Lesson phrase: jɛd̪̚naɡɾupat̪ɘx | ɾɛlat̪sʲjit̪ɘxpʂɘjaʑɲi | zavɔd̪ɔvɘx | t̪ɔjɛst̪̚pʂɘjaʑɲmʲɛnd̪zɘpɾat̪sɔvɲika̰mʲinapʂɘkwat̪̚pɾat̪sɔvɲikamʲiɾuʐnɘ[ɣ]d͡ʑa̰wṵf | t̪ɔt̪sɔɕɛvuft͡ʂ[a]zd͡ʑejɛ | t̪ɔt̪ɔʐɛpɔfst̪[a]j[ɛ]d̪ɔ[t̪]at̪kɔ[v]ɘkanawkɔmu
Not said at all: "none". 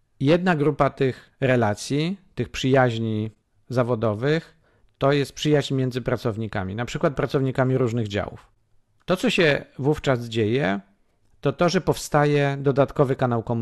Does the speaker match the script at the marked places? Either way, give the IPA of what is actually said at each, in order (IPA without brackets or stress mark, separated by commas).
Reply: ɣ, a, a, ɛ, d̪, v